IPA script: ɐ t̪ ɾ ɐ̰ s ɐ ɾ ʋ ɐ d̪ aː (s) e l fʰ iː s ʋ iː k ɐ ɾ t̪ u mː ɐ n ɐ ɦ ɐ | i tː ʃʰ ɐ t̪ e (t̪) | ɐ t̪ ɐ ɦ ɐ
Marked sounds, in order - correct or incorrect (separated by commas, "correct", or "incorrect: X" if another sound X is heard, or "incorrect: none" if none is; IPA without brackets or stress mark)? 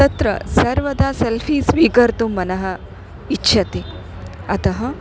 correct, incorrect: none